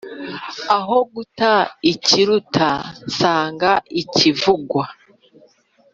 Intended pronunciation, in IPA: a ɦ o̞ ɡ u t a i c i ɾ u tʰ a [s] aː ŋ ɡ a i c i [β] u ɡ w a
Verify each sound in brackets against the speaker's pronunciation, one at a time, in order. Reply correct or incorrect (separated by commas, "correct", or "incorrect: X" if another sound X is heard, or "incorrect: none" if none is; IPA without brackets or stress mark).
correct, incorrect: v